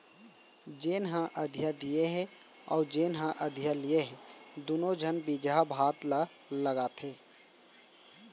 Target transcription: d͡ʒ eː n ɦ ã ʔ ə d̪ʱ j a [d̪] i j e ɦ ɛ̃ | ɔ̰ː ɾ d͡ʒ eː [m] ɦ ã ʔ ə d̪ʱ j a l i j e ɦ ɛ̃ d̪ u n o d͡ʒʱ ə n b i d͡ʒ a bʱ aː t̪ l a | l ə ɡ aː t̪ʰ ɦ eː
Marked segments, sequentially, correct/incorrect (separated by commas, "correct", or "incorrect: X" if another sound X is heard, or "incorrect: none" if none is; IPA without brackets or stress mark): correct, incorrect: n